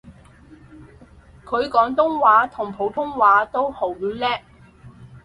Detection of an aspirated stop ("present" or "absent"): present